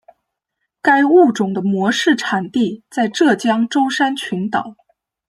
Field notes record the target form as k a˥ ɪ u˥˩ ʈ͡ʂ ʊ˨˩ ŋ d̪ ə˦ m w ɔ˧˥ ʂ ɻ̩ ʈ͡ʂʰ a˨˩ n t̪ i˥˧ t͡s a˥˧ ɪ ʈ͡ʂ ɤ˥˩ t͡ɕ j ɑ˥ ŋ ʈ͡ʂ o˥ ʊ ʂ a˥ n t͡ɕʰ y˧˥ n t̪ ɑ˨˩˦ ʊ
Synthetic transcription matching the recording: k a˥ ɪ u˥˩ ʈ͡ʂ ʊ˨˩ ŋ d̪ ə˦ m w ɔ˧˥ ʂ ɻ̩ ʈ͡ʂʰ a˨˩ n t̪ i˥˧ t͡s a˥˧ ɪ ʈ͡ʂ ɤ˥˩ t͡ɕ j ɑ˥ ŋ ʈ͡ʂ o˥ ʊ ʂ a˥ n t͡ɕʰ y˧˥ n t̪ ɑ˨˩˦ ʊ